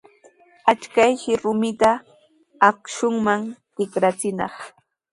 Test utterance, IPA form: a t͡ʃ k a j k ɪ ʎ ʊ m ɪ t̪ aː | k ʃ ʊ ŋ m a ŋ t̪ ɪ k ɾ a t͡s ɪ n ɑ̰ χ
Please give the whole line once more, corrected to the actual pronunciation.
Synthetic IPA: a t͡ʃ k a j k ɪ ɾ ʊ m ɪ t̪ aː | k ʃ ʊ ŋ m a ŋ t̪ ɪ k ɾ a t͡s ɪ n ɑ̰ χ